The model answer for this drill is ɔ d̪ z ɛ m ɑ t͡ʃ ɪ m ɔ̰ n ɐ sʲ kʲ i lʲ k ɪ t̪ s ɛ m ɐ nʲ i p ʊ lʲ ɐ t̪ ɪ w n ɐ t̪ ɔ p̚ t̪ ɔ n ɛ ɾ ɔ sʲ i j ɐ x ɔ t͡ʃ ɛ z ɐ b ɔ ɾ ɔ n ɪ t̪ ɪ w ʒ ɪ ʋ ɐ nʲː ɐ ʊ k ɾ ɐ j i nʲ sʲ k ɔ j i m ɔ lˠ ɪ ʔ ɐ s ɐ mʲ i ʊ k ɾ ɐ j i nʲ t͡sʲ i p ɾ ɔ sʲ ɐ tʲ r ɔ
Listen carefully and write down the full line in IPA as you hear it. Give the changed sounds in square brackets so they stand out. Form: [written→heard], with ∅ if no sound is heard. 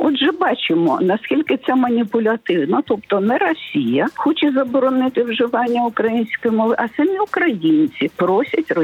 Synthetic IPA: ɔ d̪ [z→ʒ] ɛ [m→b] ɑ t͡ʃ ɪ m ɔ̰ n ɐ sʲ kʲ i lʲ k ɪ t̪ s ɛ m ɐ nʲ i p ʊ lʲ ɐ t̪ ɪ w n ɐ t̪ ɔ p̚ t̪ ɔ n ɛ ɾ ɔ sʲ i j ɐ x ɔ t͡ʃ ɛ z ɐ b ɔ ɾ ɔ n ɪ t̪ ɪ w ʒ ɪ ʋ [ɐ→ɑ] nʲː ɐ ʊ k ɾ ɐ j i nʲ sʲ k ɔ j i m ɔ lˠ ɪ ʔ ɐ s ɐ mʲ i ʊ k ɾ ɐ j i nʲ t͡sʲ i p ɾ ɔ sʲ ɐ tʲ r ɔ